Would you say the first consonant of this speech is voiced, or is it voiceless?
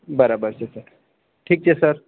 voiced